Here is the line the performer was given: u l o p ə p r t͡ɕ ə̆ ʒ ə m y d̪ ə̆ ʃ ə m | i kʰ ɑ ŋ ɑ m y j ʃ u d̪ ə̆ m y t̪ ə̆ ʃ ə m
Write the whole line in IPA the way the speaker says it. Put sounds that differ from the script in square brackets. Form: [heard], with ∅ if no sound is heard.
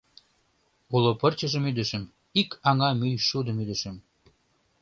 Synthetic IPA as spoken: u l o p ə [∅] r t͡ɕ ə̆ ʒ ə m y d̪ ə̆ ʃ ə m | i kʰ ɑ ŋ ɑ m y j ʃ u d̪ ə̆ m y [d̪] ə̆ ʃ ə m